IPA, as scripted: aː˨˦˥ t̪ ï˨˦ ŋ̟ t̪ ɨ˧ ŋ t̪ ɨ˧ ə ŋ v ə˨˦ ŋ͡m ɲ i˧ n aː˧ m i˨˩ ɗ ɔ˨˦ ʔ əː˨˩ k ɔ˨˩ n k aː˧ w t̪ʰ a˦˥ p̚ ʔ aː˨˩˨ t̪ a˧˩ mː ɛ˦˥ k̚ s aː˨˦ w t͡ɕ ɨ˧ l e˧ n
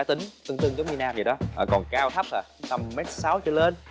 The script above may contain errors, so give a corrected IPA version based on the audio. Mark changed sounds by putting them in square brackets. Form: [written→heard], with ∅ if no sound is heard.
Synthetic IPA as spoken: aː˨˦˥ t̪ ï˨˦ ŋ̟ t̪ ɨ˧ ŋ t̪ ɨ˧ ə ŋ [v→z] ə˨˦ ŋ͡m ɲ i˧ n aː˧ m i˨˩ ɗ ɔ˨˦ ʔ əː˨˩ k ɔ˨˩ n k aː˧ w t̪ʰ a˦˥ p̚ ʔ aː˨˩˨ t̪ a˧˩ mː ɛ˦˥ [k̚→t̚] s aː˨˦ w t͡ɕ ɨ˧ l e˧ n